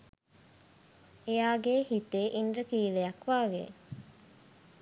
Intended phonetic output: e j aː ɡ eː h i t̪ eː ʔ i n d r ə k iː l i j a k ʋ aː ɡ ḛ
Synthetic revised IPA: e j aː ɡ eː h i t̪ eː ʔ i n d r ə k iː l e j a k ʋ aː ɡ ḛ